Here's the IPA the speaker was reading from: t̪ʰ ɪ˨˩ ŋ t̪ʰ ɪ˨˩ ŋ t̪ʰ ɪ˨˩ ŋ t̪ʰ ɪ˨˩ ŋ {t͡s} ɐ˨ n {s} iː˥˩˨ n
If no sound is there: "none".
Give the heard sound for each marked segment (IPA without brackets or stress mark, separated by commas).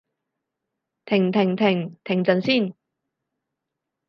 t͡s, s